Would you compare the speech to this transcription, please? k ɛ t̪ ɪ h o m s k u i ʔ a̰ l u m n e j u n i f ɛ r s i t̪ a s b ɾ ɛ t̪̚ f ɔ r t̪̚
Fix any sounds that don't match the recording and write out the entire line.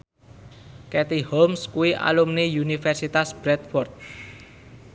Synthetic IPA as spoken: k ɛ t̪ i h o m s k u i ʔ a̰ l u m n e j u n i f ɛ r s i t̪ a s b ɾ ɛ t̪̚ f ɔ r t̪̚